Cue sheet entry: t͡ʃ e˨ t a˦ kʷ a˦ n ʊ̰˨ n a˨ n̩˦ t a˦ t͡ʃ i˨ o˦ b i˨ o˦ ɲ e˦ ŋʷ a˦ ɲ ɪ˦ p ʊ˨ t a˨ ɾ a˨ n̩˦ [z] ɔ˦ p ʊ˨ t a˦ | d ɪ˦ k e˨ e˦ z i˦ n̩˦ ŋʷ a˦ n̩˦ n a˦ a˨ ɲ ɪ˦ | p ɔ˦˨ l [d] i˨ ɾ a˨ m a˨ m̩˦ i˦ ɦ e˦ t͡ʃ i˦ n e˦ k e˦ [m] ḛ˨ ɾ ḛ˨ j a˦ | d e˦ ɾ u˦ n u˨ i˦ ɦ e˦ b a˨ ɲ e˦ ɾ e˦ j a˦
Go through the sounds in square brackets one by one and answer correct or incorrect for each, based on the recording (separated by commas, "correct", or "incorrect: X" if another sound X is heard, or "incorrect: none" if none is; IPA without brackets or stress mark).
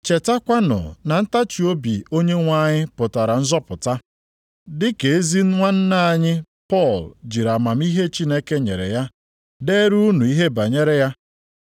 correct, incorrect: d͡ʒ, incorrect: ɲ